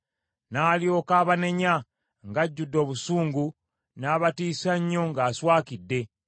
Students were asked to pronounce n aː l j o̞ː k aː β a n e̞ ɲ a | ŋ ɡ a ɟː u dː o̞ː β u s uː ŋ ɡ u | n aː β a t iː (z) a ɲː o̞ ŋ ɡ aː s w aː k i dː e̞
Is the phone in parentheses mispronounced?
yes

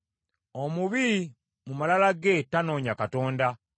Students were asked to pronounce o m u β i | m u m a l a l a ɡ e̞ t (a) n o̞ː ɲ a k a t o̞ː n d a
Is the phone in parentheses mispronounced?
no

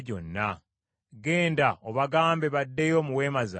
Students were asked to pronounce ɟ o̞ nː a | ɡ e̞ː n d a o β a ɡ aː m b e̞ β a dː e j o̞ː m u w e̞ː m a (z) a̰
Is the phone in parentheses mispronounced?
no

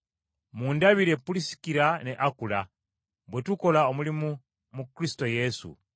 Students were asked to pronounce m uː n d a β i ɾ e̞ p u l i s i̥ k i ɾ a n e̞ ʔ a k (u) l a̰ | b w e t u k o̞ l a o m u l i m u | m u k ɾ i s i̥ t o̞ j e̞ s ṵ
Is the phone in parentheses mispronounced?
no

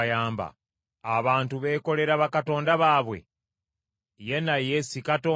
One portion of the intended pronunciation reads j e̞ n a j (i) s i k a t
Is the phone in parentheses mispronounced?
yes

